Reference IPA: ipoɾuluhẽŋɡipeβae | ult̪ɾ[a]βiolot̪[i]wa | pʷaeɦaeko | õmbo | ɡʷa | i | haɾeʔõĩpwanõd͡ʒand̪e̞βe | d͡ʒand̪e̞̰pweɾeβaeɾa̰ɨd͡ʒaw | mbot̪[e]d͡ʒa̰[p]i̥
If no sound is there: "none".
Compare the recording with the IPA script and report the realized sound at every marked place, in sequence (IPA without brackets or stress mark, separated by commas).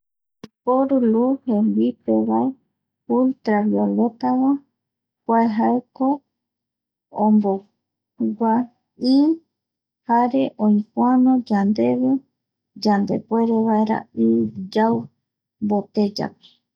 a, a, e, p